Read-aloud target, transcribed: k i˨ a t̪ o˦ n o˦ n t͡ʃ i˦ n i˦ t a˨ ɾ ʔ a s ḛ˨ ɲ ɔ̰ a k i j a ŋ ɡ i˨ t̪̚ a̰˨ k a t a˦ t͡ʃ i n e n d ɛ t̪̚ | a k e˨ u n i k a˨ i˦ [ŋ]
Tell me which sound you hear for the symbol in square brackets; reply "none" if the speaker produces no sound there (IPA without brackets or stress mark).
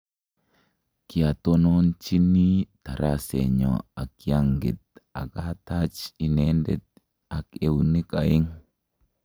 ŋ